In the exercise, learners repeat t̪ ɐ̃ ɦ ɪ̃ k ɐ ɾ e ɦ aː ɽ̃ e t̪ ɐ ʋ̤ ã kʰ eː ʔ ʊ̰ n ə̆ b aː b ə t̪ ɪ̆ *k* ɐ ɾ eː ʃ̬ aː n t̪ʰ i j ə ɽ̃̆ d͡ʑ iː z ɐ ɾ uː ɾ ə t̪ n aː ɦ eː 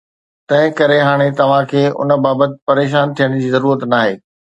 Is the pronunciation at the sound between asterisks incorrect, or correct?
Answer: incorrect: p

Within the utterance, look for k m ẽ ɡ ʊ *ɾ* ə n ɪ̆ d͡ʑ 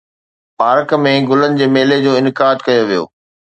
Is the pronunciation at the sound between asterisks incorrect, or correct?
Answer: incorrect: l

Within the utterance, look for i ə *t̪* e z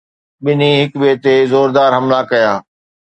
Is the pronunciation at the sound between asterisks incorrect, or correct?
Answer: correct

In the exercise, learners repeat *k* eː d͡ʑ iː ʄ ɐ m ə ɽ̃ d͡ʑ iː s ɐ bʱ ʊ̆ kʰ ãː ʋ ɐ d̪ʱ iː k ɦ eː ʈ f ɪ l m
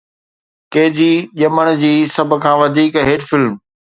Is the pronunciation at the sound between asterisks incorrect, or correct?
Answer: correct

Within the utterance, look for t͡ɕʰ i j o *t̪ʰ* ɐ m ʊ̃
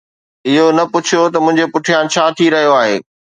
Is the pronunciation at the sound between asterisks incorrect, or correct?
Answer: incorrect: t̪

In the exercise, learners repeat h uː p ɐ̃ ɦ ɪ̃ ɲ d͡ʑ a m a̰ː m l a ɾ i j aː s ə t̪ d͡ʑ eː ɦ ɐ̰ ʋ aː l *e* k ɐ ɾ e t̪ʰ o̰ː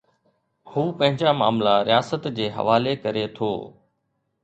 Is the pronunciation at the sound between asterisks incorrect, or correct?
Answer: correct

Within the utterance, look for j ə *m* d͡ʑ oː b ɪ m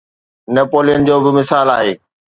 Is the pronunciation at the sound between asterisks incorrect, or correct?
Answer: incorrect: n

